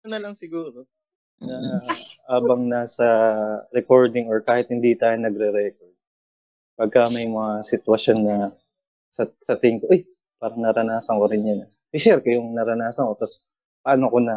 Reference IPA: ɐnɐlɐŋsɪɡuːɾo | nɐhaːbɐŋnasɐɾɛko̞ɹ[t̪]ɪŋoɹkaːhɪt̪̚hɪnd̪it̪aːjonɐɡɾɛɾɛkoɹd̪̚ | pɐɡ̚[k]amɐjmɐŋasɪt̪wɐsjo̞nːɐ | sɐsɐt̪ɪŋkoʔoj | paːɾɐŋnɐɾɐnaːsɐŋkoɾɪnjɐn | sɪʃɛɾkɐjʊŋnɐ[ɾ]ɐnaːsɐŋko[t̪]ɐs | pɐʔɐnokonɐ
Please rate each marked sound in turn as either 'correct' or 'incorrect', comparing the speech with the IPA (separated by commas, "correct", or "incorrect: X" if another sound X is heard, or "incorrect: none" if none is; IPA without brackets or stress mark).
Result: incorrect: d̪, correct, correct, correct